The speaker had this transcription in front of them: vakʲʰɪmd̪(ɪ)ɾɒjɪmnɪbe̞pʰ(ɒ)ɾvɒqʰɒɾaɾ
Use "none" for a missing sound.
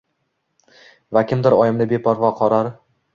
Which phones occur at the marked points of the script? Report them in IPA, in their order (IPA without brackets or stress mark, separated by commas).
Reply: ɪ, ɒ